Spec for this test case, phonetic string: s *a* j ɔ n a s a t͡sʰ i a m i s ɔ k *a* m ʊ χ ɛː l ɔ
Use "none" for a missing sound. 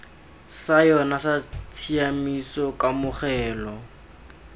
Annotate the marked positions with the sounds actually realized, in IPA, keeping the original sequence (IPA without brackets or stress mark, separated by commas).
a, a